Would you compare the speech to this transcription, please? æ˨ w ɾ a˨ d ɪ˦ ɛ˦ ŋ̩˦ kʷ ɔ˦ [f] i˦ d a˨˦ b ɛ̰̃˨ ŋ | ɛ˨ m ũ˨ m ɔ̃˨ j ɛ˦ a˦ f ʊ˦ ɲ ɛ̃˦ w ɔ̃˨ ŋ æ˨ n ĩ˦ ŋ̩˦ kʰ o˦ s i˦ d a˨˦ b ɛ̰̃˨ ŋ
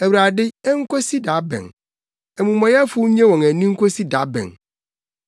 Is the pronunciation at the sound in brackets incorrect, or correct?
incorrect